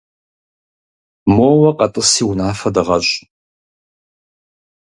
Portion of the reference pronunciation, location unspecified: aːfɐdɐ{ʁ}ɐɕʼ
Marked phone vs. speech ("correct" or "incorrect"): correct